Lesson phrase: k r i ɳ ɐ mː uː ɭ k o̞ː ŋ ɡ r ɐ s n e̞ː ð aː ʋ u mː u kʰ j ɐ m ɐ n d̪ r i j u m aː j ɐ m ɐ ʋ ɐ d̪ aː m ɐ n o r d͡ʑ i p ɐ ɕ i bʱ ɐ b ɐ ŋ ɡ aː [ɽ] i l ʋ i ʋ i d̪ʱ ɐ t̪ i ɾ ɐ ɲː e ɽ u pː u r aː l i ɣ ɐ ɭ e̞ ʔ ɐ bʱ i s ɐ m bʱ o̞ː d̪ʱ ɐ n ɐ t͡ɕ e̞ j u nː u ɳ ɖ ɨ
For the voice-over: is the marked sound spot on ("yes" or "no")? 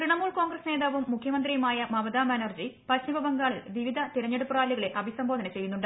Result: no